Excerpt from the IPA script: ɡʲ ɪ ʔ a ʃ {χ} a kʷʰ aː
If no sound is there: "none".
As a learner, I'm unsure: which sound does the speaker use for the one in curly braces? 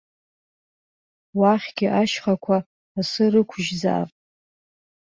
χ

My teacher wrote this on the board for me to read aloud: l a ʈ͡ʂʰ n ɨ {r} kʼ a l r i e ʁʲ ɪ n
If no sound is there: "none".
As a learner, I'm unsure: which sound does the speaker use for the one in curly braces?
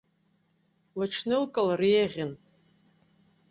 l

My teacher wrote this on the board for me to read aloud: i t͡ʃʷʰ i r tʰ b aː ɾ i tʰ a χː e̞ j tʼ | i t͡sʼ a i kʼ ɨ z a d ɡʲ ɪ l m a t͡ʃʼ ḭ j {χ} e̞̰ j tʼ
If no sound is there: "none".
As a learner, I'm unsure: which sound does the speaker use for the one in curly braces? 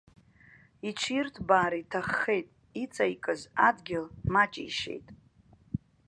ʃ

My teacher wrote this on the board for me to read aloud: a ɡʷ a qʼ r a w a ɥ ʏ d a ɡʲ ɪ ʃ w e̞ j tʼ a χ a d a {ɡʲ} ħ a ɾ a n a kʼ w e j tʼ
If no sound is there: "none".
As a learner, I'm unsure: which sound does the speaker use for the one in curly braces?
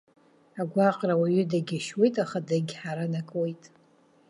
ɡʲ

